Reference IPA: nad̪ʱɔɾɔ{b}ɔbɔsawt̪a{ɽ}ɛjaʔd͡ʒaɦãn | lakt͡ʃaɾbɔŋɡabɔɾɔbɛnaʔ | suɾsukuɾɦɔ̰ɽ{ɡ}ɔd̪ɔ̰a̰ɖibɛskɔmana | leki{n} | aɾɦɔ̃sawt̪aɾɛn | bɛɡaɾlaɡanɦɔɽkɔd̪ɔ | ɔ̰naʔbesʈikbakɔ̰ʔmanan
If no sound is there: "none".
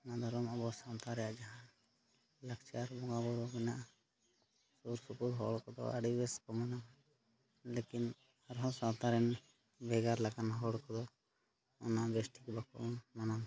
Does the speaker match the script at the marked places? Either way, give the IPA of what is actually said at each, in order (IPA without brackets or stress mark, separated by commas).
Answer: m, ɾ, k, n